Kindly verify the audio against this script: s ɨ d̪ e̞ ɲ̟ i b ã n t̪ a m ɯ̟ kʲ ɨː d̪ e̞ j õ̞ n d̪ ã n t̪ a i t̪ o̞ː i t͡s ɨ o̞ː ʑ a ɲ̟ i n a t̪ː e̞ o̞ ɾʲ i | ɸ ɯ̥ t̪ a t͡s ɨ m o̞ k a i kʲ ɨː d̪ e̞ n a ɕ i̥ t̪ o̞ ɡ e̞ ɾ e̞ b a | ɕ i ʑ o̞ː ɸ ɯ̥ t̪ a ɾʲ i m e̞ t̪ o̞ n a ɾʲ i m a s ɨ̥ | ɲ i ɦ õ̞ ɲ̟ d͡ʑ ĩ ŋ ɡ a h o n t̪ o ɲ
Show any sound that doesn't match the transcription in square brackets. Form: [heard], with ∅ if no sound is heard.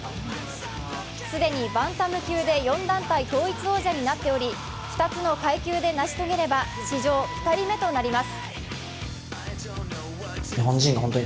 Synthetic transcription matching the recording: s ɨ d̪ e̞ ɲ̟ i b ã n t̪ a m ɯ̟ kʲ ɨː d̪ e̞ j õ̞ n d̪ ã n t̪ a i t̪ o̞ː i t͡s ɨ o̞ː ʑ a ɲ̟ i n a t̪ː e̞ o̞ ɾʲ i | ɸ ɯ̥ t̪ a t͡s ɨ [n] o̞ k a i kʲ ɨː d̪ e̞ n a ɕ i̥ t̪ o̞ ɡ e̞ ɾ e̞ b a | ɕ i ʑ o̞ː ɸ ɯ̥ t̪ a ɾʲ i m e̞ t̪ o̞ n a ɾʲ i m a s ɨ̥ | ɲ i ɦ õ̞ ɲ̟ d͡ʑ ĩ ŋ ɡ a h o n t̪ o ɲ

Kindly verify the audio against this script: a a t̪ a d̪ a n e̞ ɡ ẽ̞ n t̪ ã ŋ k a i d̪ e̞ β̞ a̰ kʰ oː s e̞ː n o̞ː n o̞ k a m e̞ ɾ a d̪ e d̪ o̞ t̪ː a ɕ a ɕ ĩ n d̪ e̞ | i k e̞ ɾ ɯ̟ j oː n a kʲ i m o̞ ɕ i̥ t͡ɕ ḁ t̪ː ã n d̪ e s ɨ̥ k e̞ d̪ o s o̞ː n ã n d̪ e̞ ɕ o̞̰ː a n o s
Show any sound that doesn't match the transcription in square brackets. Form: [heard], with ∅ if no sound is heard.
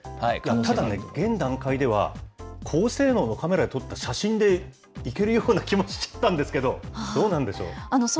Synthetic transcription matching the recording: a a t̪ a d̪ a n e̞ ɡ ẽ̞ n [d̪] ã ŋ k a i d̪ e̞ β̞ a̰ kʰ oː s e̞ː n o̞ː n o̞ k a m e̞ ɾ a d̪ e [t̪] o̞ t̪ː a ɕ a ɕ ĩ n d̪ e̞ | i k e̞ ɾ ɯ̟ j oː n a kʲ i m o̞ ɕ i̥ t͡ɕ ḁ t̪ː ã n d̪ e s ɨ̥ k e̞ d̪ o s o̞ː n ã n d̪ e̞ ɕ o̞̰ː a n o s

